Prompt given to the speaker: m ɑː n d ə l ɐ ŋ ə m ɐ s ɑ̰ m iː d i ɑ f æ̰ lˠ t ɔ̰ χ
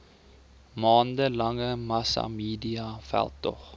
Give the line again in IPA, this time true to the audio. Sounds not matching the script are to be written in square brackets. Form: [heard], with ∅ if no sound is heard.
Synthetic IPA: m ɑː n d ə l ɐ ŋ ə m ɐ s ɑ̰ m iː d i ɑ f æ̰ lˠ t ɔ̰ χ